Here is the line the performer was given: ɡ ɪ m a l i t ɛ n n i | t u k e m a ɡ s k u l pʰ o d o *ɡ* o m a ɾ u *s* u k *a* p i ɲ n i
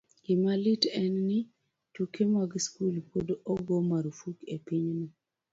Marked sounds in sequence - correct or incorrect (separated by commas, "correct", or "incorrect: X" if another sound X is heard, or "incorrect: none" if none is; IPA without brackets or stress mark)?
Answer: correct, incorrect: f, incorrect: e